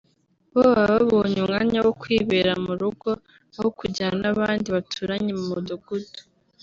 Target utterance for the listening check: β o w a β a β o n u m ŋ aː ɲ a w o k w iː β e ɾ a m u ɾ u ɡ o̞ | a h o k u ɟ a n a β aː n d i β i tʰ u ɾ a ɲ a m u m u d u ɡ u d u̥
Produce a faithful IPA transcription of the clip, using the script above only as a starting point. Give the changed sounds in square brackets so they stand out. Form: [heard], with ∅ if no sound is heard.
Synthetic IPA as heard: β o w a β a β o [ɲ] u m ŋ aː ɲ a w o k w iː β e ɾ a m u ɾ u ɡ o̞ | a h o k u ɟ a n a β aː n d i β [a] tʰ u ɾ a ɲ [e] m u m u d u ɡ u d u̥